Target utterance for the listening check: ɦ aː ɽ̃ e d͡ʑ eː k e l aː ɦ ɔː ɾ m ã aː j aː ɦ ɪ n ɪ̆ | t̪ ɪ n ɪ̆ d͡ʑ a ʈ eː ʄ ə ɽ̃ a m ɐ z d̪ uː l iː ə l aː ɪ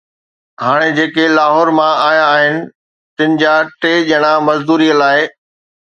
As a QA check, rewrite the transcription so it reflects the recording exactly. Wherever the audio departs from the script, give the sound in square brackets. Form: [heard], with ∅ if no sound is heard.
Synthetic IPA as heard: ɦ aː ɽ̃ e d͡ʑ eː k e l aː ɦ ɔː ɾ m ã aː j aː ɦ ɪ n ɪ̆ | t̪ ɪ n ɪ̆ d͡ʑ a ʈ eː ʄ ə ɽ̃ a m ɐ z d̪ uː [ɾ] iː ə l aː ɪ